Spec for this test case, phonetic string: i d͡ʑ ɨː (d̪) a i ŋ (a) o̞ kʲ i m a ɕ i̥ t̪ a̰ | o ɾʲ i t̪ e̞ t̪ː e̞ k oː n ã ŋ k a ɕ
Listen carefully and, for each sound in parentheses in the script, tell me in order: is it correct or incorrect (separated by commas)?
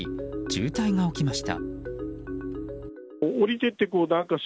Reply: incorrect, correct